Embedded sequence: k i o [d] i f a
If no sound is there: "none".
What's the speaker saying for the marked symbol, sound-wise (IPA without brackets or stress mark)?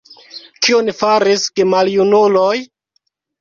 n